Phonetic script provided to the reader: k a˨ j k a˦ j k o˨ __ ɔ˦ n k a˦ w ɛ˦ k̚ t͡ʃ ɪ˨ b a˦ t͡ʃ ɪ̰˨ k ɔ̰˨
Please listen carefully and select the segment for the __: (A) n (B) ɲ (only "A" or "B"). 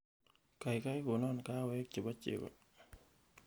A